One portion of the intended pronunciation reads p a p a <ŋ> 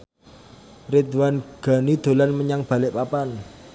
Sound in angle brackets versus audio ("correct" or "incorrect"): incorrect